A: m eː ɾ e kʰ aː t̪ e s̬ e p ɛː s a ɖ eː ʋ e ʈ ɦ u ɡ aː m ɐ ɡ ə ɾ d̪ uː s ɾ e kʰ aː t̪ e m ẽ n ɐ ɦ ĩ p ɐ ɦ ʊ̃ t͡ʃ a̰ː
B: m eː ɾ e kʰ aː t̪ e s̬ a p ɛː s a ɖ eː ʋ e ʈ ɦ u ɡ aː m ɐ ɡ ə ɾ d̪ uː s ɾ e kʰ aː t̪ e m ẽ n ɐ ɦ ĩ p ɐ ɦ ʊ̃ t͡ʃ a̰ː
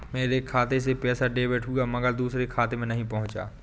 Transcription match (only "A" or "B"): A